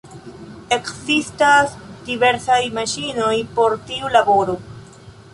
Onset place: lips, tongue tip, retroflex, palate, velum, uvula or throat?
velum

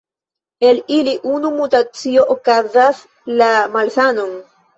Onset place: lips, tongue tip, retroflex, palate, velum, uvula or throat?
tongue tip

